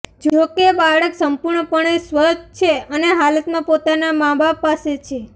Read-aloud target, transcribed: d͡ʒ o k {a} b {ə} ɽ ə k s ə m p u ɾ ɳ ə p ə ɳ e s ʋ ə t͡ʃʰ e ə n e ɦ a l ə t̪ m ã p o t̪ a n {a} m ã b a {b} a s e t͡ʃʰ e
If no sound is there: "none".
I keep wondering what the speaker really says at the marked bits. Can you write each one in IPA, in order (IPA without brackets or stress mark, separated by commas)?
e, a, a, p